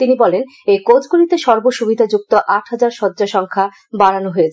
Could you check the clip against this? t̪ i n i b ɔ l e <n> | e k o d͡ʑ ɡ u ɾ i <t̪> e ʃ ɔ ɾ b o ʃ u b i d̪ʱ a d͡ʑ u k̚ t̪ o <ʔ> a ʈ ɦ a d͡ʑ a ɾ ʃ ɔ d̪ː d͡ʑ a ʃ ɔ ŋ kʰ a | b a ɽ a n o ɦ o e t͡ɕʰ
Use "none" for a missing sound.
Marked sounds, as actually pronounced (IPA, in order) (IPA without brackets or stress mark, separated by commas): n, t̪, ʔ